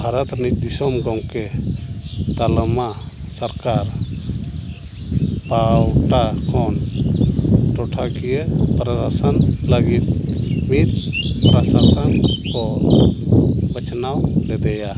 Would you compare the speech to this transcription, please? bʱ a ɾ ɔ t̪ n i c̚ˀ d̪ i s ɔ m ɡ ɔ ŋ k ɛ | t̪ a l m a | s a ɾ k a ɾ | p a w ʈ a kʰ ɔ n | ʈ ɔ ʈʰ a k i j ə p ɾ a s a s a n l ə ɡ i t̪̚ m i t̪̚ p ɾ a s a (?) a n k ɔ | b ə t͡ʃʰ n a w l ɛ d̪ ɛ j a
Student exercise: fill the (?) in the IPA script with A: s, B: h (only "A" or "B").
A